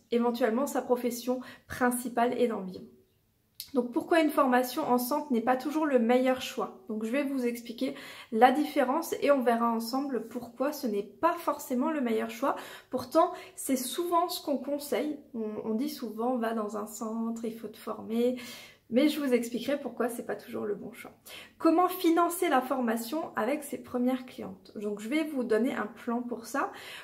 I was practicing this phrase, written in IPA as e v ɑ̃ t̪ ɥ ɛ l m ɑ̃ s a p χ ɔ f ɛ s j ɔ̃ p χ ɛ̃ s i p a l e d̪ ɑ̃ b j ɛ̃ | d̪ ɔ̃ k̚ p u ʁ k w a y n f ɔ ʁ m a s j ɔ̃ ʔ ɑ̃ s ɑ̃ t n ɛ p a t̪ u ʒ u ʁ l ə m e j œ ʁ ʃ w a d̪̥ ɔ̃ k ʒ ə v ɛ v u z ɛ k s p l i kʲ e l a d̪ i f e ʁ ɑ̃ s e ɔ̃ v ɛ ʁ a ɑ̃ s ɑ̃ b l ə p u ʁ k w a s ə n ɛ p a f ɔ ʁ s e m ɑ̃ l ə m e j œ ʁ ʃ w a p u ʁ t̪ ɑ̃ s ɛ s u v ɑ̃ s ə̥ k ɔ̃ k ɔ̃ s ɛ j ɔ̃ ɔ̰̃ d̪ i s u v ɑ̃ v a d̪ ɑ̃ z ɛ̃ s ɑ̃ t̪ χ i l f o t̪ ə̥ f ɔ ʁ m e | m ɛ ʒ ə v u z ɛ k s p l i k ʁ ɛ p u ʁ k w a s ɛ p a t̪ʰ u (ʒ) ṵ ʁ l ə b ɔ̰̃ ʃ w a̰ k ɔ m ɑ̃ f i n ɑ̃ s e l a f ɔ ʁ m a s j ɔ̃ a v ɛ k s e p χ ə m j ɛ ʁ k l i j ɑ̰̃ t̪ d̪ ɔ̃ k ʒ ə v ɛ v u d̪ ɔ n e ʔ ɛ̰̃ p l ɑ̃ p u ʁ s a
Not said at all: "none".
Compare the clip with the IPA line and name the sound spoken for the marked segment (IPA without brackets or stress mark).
ʒ